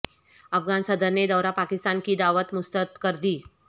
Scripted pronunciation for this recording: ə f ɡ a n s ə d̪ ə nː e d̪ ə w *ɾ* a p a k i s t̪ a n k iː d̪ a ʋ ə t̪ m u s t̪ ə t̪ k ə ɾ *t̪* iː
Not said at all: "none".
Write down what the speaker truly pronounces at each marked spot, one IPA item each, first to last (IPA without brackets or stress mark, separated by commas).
ɾ, d̪